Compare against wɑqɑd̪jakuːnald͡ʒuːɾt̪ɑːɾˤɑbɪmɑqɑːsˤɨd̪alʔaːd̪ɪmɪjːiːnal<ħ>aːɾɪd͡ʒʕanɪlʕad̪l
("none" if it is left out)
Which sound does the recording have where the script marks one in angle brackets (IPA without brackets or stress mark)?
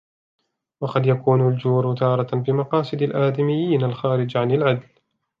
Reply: x